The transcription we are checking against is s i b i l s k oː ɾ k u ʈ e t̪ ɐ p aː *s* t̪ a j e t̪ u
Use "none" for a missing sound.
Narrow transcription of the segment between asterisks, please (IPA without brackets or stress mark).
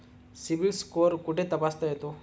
s